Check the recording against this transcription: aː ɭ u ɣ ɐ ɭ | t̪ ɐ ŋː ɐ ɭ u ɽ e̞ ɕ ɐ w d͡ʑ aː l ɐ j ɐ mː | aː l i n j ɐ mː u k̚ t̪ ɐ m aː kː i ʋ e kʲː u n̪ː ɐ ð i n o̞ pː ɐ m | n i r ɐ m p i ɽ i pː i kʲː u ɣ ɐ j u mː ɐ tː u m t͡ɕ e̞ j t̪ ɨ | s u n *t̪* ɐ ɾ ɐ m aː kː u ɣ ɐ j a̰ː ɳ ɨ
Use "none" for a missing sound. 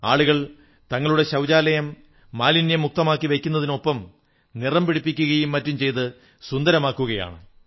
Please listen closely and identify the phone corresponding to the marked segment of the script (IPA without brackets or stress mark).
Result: d̪